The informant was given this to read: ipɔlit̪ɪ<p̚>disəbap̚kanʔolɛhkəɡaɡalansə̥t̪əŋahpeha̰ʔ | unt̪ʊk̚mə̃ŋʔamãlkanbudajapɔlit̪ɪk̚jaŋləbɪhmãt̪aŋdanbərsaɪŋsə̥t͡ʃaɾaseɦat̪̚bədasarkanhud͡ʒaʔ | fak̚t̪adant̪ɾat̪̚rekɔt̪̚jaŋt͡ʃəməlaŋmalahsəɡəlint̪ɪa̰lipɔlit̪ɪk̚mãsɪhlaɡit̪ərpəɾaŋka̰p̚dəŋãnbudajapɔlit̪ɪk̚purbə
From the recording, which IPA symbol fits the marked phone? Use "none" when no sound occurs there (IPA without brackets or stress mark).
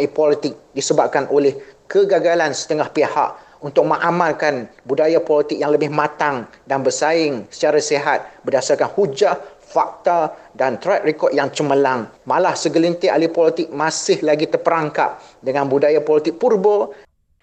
k̚